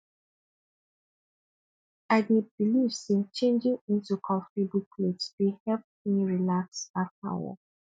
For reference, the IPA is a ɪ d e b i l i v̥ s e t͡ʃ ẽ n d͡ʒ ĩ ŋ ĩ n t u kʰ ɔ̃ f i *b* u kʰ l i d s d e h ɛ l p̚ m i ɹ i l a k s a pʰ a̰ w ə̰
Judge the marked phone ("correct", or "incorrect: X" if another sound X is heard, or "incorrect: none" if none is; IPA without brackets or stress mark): correct